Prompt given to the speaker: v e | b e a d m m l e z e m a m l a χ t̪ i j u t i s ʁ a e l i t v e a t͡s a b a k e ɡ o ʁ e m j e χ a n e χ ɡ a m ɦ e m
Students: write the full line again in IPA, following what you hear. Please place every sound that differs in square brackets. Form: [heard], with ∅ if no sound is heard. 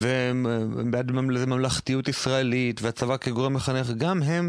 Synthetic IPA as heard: v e | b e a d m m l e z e m a m l a χ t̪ i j u t i s ʁ a e l i t v e a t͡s a [v] a k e ɡ o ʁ e m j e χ a n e χ ɡ a m ɦ e m